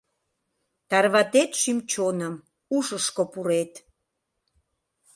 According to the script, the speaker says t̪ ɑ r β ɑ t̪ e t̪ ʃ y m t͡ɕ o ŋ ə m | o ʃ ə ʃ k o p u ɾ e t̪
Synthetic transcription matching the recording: t̪ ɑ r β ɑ t̪ e t̪ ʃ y m t͡ɕ o n ə m | u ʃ ə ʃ k o p u ɾ e t̪